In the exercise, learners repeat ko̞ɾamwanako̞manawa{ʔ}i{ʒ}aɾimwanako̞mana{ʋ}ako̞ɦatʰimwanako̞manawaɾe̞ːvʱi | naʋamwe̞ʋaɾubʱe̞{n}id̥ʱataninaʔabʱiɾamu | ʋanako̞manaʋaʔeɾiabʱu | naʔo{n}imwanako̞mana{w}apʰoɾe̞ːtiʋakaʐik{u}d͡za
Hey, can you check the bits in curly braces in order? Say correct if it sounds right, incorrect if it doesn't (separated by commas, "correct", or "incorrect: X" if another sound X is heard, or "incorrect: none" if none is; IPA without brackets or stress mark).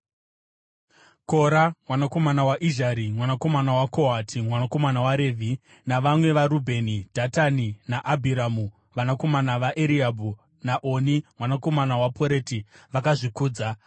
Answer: correct, correct, incorrect: w, correct, correct, correct, incorrect: uː